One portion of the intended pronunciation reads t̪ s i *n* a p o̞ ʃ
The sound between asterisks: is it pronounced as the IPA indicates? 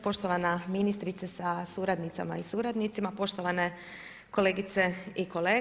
no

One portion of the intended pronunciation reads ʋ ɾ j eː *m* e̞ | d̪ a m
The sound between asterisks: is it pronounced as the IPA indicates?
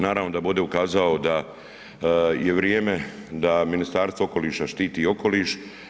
yes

